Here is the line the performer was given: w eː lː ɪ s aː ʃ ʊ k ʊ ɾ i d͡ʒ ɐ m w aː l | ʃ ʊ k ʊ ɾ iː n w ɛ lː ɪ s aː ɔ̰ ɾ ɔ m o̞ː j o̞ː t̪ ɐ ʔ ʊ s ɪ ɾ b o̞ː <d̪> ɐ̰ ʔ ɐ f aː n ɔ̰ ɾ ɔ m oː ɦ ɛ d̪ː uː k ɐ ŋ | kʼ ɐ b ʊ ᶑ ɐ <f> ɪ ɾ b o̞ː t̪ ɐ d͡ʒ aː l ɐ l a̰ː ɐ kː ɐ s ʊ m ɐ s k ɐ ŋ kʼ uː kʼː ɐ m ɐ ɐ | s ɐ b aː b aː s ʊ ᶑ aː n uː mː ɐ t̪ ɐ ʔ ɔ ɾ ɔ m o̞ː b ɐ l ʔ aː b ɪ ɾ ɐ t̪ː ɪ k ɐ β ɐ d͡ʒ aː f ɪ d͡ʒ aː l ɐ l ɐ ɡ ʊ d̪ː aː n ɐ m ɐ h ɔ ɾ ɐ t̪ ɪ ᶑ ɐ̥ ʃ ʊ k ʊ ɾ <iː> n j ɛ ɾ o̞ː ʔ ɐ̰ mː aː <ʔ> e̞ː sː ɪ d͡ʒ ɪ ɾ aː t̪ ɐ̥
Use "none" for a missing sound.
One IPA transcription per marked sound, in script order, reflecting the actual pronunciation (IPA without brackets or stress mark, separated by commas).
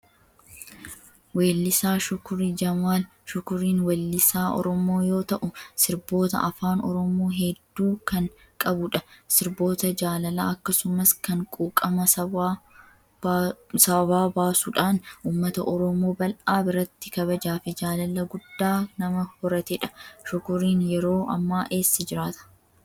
t̪, s, iː, ʔ